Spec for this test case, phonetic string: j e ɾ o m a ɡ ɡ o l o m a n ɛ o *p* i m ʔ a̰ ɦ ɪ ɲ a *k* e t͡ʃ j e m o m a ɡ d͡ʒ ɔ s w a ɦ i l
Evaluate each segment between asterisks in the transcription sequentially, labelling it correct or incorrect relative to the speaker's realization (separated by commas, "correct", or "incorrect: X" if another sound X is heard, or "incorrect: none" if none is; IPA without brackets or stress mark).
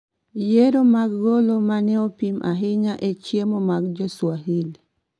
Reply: correct, incorrect: ʔ